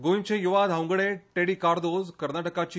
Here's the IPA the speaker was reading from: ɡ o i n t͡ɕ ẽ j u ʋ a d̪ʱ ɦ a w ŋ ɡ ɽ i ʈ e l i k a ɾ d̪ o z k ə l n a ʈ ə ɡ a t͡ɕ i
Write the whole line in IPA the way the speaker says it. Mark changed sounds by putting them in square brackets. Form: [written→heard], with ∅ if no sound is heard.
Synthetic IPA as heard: ɡ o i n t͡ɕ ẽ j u ʋ a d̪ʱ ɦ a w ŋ ɡ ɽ [i→e] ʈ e [l→ɽ] i k a ɾ d̪ o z k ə [l→ɾ] n a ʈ ə [ɡ→k] a t͡ɕ i